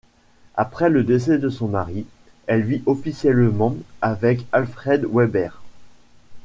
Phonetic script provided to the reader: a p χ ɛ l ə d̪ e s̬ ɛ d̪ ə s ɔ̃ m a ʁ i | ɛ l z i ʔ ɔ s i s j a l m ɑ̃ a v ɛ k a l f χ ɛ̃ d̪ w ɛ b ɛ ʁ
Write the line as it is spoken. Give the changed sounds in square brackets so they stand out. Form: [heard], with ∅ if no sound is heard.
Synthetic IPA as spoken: a p χ ɛ l ə d̪ e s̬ ɛ d̪ ə s ɔ̃ m a ʁ i | ɛ l [v] i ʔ ɔ [f] i s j [ɛ] l m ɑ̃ a v ɛ k a l f χ [ɛ] d̪ w ɛ b ɛ ʁ